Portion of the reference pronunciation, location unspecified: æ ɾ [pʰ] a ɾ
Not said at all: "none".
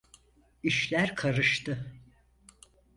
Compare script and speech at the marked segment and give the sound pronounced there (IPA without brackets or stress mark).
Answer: kʰ